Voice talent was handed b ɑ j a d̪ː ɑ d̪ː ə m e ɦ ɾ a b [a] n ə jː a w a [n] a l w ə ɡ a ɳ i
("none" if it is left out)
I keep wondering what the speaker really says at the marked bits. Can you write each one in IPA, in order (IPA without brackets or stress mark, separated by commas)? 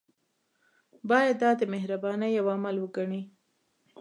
ɑ, m